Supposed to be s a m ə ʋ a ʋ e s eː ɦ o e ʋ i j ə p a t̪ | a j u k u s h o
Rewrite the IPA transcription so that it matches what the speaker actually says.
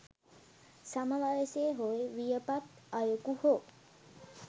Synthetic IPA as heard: s a m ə ʋ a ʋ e s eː ɦ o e ʋ i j ə p a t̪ | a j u k u h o